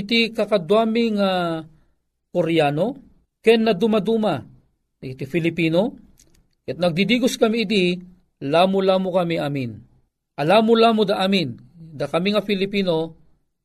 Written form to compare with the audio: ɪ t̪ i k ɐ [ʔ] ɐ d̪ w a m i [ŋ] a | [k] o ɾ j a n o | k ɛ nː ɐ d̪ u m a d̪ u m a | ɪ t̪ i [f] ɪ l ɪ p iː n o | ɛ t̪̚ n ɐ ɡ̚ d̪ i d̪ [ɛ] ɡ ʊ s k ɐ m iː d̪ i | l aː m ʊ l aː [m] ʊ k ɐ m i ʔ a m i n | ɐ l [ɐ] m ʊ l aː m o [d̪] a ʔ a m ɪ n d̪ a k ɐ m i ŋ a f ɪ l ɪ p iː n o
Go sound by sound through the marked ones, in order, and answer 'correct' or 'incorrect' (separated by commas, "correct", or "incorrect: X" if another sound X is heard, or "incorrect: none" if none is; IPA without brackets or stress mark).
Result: incorrect: k, correct, correct, correct, incorrect: i, correct, incorrect: a, correct